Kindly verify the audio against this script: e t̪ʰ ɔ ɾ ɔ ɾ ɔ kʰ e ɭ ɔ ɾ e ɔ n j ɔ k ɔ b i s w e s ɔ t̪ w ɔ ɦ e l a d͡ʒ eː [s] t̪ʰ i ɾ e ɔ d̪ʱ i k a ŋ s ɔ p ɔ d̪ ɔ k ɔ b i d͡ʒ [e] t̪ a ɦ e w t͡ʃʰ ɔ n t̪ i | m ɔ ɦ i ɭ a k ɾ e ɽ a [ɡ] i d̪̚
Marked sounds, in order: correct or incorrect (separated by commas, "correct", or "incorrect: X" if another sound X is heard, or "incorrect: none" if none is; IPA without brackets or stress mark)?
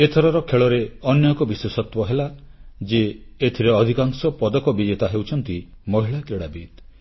incorrect: none, correct, incorrect: b